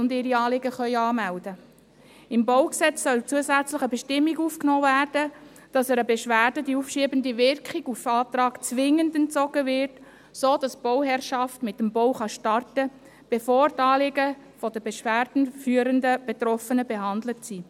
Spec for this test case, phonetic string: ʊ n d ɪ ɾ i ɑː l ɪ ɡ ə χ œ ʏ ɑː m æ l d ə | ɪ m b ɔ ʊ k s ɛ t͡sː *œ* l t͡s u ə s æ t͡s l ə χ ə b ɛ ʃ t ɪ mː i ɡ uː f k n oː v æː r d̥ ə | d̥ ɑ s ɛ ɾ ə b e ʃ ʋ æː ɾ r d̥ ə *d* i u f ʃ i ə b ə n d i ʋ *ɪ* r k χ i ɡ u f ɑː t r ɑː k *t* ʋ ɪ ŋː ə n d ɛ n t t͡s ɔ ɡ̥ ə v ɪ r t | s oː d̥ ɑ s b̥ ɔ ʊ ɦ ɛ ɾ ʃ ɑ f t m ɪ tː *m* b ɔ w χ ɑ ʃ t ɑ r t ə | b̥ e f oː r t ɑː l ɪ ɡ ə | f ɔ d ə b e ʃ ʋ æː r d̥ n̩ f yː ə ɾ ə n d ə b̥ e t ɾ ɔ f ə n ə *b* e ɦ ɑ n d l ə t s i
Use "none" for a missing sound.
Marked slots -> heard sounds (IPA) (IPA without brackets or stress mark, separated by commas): œ, d, ɪ, t͡s, m, b